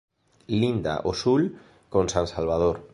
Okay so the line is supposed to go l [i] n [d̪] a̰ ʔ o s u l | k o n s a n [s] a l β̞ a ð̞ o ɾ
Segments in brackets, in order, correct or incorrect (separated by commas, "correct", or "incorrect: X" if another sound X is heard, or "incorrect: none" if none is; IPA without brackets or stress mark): correct, correct, correct